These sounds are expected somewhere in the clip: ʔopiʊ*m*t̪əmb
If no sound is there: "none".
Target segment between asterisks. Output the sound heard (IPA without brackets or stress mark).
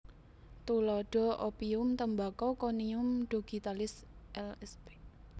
m